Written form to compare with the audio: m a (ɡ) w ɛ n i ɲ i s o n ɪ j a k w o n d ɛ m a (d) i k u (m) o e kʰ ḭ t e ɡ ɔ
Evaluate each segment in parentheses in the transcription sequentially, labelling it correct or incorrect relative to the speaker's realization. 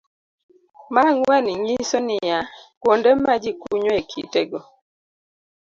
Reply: incorrect, incorrect, incorrect

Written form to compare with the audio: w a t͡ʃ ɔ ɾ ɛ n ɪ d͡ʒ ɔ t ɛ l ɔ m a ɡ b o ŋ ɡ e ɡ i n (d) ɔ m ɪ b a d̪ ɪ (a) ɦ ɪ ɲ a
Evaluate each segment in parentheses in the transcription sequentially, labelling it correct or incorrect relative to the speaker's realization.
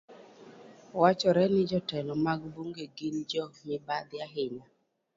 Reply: incorrect, correct

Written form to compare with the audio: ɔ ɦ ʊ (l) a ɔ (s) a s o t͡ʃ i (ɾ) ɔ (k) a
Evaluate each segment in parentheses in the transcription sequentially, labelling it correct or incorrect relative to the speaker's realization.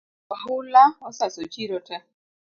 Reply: correct, correct, correct, incorrect

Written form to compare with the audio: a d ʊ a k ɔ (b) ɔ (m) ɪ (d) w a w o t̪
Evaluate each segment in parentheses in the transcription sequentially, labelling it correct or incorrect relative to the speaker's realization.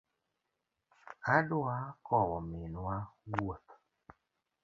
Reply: incorrect, correct, incorrect

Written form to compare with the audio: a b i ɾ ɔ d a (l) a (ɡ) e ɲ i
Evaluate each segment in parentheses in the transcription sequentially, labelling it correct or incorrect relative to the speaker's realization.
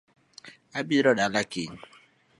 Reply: correct, incorrect

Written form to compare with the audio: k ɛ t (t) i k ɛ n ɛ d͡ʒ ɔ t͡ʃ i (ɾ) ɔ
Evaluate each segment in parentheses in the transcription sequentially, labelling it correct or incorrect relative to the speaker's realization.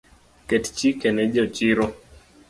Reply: incorrect, correct

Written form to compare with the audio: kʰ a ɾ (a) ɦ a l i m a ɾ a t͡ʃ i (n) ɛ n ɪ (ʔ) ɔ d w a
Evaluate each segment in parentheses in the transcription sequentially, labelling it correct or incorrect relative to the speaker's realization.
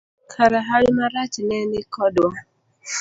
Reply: correct, correct, incorrect

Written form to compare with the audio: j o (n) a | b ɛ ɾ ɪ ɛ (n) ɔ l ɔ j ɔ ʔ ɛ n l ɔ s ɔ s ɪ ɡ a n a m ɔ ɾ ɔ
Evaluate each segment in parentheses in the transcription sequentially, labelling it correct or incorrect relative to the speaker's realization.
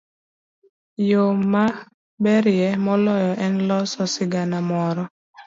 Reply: incorrect, incorrect

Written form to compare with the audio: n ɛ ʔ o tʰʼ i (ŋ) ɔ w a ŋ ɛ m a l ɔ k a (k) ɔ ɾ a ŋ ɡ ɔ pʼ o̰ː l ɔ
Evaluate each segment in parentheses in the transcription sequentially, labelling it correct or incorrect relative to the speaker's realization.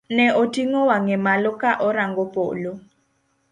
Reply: correct, incorrect

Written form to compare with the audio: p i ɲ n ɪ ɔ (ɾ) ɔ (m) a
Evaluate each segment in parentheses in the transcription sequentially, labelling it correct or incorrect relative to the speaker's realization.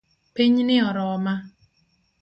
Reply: correct, correct

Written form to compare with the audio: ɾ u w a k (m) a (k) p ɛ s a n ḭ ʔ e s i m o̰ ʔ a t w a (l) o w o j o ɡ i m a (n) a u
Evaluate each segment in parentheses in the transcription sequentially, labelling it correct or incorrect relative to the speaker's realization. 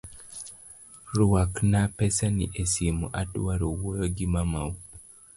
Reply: incorrect, incorrect, incorrect, incorrect

